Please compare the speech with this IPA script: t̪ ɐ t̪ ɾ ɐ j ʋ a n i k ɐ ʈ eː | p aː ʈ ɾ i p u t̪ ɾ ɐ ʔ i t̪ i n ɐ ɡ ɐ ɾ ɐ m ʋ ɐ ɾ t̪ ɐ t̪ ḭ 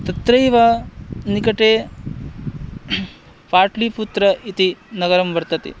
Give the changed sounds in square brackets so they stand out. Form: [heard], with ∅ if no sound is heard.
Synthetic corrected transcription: t̪ ɐ t̪ ɾ ɐ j ʋ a n i k ɐ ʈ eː | p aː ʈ [l] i p u t̪ ɾ ɐ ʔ i t̪ i n ɐ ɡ ɐ ɾ ɐ m ʋ ɐ ɾ t̪ ɐ t̪ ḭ

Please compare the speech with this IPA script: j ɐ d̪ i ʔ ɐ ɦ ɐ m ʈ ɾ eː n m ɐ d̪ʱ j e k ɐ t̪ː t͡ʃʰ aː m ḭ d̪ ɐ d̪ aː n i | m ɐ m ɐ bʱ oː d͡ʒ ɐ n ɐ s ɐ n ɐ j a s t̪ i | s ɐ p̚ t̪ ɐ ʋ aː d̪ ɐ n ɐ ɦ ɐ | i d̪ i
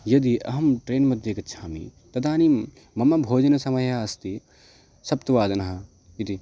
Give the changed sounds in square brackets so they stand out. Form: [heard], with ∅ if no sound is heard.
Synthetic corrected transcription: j ɐ d̪ i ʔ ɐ ɦ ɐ m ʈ ɾ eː n m ɐ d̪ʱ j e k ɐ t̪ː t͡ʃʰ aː m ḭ [t̪] ɐ d̪ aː n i | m ɐ m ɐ bʱ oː d͡ʒ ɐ n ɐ s ɐ [m] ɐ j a s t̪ i | s ɐ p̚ t̪ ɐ ʋ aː d̪ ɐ n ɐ ɦ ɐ | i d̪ i

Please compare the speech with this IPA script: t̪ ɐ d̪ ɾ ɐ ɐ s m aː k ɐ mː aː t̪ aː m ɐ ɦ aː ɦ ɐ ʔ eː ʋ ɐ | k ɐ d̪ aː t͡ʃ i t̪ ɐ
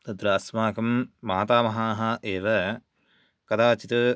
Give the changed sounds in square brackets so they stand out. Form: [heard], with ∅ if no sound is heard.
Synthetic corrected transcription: t̪ ɐ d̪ ɾ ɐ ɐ s m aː k ɐ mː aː t̪ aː m ɐ ɦ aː ɦ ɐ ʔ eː ʋ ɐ | k ɐ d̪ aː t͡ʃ i t̪ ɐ

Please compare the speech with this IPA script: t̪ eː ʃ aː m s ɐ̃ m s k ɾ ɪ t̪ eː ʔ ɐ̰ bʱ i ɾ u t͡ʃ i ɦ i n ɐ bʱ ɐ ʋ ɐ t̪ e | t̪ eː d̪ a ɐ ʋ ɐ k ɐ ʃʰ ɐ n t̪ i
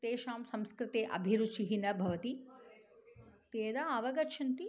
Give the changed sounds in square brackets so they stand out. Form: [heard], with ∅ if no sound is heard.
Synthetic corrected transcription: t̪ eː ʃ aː m s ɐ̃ m s k ɾ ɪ t̪ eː ʔ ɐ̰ bʱ i ɾ u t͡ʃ i ɦ i n ɐ bʱ ɐ ʋ ɐ t̪ [i] | t̪ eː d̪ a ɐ ʋ ɐ [ɡ] ɐ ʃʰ ɐ n t̪ i

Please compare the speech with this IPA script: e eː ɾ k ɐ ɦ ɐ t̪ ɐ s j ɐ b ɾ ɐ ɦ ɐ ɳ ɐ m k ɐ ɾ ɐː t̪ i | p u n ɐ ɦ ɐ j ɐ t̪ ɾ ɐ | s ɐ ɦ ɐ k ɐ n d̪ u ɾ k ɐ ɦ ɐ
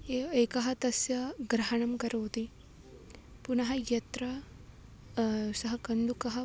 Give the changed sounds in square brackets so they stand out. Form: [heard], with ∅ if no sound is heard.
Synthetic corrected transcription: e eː [∅] k ɐ ɦ ɐ t̪ ɐ s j ɐ [ɡ] ɾ ɐ ɦ ɐ ɳ ɐ m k ɐ ɾ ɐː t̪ i | p u n ɐ ɦ ɐ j ɐ t̪ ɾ ɐ | s ɐ ɦ ɐ k ɐ n d̪ u [∅] k ɐ ɦ ɐ

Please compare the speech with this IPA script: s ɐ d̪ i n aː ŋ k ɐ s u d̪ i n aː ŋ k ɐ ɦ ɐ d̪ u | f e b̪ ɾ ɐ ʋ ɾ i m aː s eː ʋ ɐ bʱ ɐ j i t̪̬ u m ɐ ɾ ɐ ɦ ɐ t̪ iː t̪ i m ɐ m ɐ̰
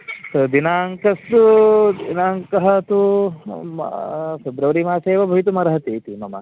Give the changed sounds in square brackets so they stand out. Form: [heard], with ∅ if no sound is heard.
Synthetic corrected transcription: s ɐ d̪ i n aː ŋ k ɐ s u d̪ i n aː ŋ k ɐ ɦ ɐ [t̪] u | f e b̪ ɾ ɐ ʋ ɾ i m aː s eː ʋ ɐ bʱ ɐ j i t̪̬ u m ɐ ɾ ɐ ɦ ɐ t̪ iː t̪ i m ɐ m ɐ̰

